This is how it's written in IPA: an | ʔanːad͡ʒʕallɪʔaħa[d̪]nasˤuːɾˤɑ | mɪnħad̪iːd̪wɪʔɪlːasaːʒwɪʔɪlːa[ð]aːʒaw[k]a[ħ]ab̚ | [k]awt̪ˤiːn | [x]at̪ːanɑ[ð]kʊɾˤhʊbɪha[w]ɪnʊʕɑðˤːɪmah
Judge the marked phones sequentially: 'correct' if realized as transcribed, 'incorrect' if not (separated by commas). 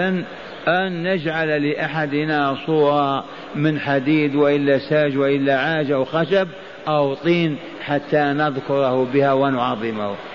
correct, incorrect, incorrect, incorrect, incorrect, incorrect, correct, correct